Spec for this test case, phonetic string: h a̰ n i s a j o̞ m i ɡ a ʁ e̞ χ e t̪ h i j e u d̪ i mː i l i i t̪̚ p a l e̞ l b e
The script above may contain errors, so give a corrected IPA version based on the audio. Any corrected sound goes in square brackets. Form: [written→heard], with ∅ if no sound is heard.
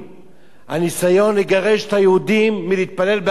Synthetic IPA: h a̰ n i s a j o̞ [m→n] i ɡ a ʁ e̞ [χ→ʃ] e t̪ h [i→a] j e u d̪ i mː i l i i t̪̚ p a l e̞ l b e

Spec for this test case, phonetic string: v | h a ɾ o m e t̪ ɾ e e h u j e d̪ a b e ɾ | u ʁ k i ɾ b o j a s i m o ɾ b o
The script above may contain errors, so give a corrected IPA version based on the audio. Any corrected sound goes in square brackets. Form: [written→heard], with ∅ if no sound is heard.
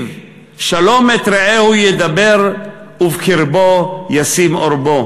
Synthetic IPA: v | [h→ʃ] a [ɾ→l] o m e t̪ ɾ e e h u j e d̪ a b e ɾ | u [ʁ→v] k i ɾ b o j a s i m o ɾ b o

